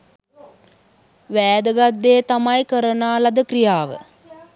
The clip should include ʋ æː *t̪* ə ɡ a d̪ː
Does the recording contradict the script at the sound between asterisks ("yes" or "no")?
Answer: yes